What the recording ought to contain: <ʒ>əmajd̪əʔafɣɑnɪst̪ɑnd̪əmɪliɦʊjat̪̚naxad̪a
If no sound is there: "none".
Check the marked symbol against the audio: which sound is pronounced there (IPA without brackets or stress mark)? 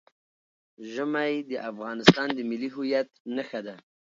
ʒ